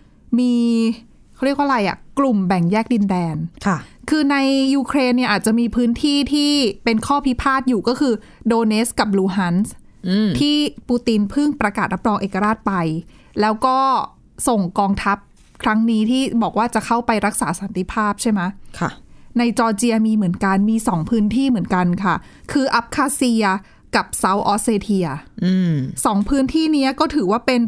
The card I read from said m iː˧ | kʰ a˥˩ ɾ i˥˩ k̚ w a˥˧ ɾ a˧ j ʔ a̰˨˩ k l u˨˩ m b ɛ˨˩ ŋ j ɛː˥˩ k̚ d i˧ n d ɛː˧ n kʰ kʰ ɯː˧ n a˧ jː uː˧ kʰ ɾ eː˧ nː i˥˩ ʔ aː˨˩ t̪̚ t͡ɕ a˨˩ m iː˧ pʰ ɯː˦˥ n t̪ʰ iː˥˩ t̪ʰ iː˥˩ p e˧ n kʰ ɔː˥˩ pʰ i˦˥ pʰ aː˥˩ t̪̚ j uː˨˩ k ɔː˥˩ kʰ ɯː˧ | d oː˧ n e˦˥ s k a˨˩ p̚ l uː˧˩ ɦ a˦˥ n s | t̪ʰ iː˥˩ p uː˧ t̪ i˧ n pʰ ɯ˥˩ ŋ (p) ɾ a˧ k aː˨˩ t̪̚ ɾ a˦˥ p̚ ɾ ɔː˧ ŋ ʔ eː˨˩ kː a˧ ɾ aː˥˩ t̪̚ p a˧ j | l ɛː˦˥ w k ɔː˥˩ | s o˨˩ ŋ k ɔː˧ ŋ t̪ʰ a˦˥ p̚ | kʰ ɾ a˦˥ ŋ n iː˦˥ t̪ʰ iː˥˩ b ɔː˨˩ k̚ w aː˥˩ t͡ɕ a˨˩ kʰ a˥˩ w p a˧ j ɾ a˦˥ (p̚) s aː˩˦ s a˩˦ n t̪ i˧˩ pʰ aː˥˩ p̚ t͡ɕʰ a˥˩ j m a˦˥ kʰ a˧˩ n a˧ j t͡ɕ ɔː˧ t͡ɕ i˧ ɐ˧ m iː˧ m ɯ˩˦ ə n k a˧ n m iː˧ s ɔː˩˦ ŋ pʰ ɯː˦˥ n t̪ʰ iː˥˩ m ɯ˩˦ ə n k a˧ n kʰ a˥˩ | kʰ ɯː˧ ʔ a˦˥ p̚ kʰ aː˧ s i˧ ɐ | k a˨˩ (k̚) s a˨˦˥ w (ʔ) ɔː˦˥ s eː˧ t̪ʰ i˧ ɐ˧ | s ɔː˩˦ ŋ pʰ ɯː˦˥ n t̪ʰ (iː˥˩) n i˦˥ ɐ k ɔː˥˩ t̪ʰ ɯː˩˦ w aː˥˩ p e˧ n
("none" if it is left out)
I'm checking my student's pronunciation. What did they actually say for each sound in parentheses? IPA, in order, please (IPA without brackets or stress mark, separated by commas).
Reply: p, k̚, p̚, ʔ, iː˥˩